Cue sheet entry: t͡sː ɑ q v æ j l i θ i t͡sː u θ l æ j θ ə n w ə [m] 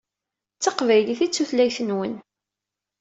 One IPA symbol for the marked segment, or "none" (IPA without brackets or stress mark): n